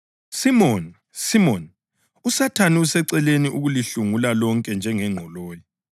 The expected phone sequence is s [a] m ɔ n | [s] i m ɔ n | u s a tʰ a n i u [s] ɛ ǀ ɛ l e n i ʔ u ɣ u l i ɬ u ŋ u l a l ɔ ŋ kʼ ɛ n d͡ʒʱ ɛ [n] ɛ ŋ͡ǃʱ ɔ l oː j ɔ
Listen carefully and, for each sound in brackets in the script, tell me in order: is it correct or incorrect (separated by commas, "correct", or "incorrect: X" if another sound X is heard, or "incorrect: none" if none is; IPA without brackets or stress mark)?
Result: incorrect: i, correct, correct, incorrect: ŋ